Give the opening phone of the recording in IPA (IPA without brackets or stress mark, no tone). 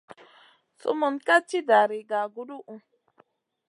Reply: s